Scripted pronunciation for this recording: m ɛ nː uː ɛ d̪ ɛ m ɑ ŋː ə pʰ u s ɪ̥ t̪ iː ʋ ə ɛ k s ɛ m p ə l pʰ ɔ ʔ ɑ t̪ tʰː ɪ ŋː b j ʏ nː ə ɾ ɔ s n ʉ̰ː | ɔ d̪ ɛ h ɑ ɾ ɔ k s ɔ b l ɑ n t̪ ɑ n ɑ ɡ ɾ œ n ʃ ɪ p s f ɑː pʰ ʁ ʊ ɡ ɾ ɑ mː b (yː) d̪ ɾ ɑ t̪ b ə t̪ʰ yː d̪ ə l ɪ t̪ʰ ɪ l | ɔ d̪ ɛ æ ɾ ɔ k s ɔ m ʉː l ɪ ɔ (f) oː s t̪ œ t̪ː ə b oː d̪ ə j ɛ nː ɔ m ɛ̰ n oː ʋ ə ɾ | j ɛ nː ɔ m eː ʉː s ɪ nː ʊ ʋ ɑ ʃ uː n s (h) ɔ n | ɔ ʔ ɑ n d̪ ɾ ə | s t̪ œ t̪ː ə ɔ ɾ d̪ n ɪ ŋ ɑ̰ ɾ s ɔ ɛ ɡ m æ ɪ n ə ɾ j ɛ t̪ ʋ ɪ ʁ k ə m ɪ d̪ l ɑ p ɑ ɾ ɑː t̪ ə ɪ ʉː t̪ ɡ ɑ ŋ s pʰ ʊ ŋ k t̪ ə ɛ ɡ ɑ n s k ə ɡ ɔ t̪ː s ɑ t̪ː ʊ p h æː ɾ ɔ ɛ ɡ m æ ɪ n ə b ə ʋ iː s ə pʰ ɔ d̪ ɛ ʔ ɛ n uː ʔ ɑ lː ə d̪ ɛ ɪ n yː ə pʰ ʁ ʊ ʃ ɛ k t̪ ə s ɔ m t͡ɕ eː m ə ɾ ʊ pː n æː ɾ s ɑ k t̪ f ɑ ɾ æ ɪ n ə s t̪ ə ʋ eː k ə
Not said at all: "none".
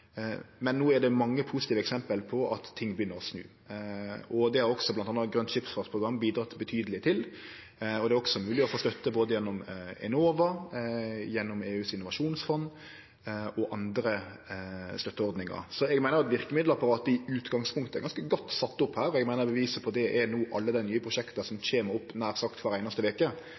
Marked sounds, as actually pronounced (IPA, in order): iː, f, f

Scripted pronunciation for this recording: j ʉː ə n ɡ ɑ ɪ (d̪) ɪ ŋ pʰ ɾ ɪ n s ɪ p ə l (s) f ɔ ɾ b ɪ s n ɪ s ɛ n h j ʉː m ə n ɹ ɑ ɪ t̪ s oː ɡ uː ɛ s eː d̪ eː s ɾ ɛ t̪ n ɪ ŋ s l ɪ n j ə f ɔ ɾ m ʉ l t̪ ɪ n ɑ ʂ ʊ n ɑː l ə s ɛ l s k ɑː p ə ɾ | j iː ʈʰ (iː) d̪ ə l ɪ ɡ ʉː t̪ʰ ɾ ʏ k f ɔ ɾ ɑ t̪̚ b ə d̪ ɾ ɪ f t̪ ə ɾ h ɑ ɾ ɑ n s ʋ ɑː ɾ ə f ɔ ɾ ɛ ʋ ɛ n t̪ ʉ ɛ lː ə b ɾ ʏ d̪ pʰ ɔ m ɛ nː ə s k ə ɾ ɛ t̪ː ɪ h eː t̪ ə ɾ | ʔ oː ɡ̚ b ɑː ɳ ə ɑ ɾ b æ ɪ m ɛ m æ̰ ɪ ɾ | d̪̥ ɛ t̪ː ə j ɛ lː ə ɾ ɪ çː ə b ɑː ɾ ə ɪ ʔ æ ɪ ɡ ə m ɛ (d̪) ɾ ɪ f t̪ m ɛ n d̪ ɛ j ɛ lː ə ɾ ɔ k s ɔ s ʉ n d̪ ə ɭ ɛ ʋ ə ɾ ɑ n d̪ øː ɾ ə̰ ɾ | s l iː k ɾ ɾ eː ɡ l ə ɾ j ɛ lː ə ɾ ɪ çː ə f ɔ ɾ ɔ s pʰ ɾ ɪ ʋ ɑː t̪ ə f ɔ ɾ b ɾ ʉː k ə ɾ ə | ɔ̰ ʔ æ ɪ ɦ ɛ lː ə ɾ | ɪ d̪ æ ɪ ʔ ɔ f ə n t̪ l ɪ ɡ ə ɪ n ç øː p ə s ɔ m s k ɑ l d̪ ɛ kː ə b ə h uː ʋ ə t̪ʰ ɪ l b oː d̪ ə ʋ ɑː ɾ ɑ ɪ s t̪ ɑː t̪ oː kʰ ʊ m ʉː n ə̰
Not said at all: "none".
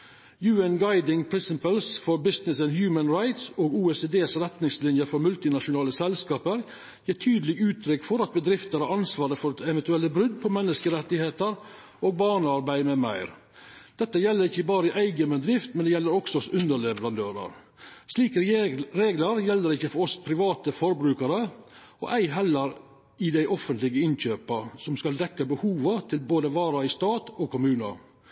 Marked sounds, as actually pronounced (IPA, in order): d̪, s, yː, d̪

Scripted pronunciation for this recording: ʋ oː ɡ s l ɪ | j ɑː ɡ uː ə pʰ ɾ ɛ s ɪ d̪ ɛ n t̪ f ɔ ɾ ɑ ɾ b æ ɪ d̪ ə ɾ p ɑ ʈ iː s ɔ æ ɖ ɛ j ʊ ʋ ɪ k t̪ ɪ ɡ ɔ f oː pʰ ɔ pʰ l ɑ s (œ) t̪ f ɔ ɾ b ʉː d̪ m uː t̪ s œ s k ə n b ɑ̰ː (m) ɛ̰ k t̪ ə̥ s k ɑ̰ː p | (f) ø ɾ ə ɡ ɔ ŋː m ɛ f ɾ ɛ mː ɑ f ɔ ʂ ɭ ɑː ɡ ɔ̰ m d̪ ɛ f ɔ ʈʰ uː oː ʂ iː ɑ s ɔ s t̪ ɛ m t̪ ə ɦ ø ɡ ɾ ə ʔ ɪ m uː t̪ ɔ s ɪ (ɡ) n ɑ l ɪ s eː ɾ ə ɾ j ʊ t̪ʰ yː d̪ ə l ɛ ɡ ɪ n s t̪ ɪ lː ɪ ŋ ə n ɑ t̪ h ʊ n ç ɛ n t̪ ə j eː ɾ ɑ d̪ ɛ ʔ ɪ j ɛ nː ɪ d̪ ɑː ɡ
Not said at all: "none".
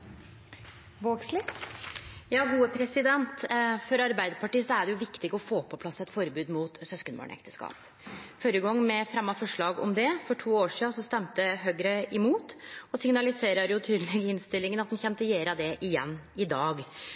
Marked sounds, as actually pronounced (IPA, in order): ɛ, ɳ, f, ŋ

